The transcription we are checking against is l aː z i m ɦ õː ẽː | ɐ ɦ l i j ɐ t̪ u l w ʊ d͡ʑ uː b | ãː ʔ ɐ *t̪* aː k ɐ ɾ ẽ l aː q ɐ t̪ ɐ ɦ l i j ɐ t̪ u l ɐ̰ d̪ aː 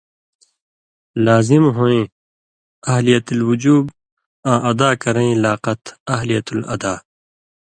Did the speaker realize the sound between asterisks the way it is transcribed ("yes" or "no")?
no